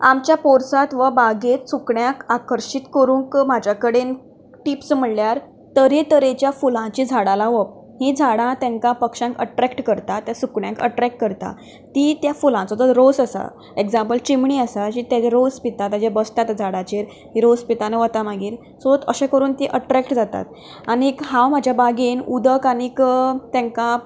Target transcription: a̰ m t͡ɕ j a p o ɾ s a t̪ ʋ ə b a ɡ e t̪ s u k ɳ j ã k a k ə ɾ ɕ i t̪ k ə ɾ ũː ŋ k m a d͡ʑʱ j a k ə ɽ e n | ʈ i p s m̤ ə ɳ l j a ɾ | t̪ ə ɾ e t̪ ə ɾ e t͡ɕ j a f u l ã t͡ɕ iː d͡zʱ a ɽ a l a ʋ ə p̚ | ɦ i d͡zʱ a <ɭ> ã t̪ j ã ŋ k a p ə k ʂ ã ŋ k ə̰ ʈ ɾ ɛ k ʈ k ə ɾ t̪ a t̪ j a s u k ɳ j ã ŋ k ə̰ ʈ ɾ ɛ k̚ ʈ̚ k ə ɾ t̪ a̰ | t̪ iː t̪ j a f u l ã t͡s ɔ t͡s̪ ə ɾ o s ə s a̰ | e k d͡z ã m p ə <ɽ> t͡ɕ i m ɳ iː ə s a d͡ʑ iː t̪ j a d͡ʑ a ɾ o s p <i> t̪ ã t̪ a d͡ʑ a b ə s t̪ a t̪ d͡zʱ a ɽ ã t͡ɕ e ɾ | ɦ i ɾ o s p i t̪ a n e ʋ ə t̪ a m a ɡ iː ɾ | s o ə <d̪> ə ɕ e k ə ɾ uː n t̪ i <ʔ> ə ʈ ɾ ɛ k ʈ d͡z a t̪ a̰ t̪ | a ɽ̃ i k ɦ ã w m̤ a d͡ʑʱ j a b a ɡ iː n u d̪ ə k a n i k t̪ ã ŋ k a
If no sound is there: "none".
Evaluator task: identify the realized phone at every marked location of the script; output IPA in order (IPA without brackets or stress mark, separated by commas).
ɽ, l, i, t̪, ʔ